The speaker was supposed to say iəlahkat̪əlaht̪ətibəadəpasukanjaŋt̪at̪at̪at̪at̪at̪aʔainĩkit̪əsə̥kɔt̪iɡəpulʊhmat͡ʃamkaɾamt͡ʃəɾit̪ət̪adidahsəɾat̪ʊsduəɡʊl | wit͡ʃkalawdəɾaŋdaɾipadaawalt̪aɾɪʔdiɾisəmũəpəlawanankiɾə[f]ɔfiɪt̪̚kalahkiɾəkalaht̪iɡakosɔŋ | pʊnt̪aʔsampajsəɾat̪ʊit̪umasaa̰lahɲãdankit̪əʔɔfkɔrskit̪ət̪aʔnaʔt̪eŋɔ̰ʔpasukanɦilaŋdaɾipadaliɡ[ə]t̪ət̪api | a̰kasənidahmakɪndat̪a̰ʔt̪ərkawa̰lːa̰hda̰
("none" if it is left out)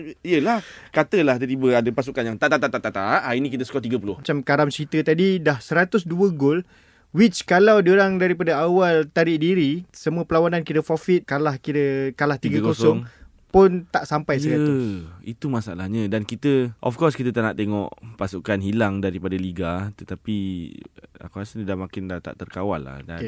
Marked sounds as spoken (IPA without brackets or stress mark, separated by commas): f, a